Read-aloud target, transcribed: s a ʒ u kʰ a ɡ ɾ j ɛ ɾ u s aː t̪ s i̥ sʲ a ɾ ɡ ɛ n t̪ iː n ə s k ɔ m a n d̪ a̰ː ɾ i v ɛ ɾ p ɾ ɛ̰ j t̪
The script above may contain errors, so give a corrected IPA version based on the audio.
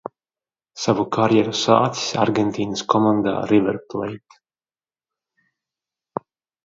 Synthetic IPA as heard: s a v u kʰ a ɾ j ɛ ɾ u s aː t̪ s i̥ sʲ a ɾ ɡ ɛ n t̪ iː n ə s k ɔ m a n d̪ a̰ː ɾ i v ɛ ɾ p l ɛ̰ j t̪